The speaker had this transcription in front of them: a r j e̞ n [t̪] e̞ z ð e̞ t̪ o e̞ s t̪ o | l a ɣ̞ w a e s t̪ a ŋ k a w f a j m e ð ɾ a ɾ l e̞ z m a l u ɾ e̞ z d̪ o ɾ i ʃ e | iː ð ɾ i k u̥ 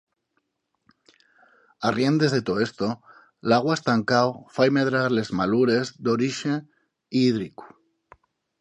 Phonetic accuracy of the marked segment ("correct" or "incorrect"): incorrect